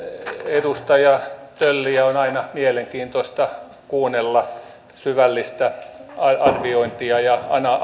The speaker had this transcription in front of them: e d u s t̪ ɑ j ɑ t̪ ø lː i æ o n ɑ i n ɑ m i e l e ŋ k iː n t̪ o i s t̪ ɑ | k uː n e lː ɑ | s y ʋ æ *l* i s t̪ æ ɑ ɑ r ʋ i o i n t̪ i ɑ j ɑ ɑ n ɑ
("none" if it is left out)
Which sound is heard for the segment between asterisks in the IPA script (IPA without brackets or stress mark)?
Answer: lː